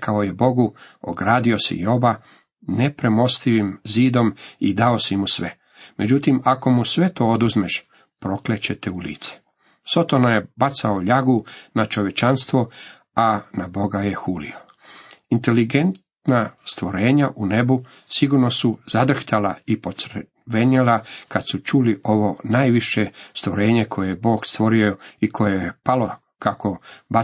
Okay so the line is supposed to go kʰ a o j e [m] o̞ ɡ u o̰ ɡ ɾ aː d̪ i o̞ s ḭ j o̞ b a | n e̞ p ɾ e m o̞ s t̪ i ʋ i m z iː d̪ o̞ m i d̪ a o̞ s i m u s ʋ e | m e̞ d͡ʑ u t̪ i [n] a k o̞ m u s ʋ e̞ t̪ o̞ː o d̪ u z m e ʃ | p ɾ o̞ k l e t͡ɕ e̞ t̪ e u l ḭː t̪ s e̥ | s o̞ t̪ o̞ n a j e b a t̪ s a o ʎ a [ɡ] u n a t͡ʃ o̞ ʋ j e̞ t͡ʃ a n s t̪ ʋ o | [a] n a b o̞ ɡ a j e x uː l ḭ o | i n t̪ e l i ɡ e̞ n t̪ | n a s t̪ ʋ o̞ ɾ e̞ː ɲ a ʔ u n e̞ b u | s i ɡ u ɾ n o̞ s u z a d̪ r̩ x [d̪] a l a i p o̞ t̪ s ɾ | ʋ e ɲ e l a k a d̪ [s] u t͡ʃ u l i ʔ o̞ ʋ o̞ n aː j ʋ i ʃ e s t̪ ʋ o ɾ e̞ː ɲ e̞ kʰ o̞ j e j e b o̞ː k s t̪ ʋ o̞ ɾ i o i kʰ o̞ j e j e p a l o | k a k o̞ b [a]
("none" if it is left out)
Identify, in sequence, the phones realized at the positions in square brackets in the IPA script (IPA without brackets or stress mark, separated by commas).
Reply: b, m, ɡ, a, t̪, s, a